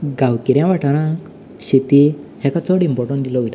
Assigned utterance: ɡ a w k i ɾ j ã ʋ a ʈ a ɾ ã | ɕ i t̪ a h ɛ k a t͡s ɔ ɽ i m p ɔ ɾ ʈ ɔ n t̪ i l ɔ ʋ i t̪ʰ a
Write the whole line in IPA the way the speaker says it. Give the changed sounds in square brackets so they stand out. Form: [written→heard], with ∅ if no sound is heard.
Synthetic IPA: ɡ a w k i ɾ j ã ʋ a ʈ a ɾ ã | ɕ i t̪ [a→i] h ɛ k a t͡s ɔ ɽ i m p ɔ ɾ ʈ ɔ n [t̪→d̪] i l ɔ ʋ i [t̪ʰ→t̪] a